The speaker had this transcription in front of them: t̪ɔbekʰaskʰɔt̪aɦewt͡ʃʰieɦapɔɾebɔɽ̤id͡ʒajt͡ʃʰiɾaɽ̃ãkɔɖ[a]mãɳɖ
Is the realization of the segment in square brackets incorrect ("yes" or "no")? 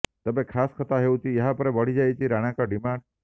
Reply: yes